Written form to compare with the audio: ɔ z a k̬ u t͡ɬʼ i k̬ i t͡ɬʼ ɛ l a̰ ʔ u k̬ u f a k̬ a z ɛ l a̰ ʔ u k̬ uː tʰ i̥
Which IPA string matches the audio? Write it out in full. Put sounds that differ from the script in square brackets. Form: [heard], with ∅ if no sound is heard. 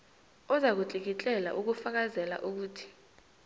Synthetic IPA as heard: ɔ z a k̬ u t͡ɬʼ i k̬ i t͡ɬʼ ɛ l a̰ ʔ u k̬ u f a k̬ a z ɛ l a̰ ʔ u k̬ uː tʰ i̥